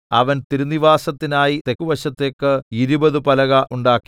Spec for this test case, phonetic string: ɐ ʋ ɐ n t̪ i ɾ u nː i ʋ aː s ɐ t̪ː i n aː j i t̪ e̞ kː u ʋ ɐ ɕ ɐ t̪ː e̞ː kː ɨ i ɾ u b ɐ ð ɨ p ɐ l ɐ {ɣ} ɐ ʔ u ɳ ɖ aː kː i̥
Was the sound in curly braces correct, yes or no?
yes